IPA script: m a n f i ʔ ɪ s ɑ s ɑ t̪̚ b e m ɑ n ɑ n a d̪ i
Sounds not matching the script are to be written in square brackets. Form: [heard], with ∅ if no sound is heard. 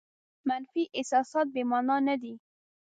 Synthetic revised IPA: m a n f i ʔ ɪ s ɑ s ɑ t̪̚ b e m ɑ n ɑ n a d̪ i

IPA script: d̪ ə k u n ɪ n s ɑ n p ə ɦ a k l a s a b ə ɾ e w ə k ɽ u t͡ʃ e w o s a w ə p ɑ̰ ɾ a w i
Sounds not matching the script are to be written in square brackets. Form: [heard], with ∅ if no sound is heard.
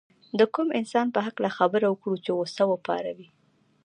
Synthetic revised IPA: d̪ ə k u [m] ɪ n s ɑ n p ə ɦ a k l a [x] a b ə ɾ [a] w ə k ɽ u t͡ʃ e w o s a w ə p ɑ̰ ɾ a w i

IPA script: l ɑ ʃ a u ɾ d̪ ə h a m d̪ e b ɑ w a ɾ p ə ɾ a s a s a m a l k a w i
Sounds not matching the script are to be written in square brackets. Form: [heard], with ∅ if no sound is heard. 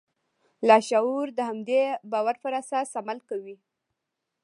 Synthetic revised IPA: l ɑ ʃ a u ɾ d̪ ə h a m d̪ e b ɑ w a ɾ p ə ɾ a s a s a m a l k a w i

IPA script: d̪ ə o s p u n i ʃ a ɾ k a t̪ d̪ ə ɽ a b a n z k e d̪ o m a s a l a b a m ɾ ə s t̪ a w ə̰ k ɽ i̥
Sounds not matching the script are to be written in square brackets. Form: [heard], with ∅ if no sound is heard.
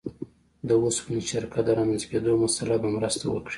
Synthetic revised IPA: d̪ ə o s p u n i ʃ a ɾ k a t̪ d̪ ə [ɾ] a [m] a n z k e d̪ o m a s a l a b a m ɾ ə s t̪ a w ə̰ k ɽ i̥

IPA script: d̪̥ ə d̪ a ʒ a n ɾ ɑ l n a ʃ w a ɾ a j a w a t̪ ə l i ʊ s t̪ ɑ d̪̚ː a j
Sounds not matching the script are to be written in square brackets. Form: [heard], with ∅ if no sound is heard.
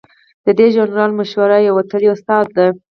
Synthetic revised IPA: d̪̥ ə d̪ [e] ʒ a n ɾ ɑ l [m] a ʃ w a ɾ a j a w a t̪ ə l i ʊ s t̪ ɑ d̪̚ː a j

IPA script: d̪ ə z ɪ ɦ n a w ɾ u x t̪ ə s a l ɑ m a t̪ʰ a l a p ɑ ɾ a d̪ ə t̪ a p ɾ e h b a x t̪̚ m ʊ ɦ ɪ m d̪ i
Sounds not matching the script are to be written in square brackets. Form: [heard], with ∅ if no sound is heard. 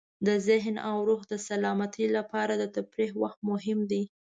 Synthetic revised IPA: d̪ ə z ɪ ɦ n a w ɾ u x [d̪] ə s a l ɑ m a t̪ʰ [i] l a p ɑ ɾ a d̪ ə t̪ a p ɾ e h [w] a x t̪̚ m ʊ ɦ ɪ m d̪ i

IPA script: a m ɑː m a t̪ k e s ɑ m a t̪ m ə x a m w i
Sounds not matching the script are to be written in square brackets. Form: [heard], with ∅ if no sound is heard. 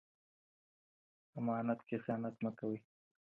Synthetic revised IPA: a m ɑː [n] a t̪ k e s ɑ [n] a t̪ m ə [k] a [∅] w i

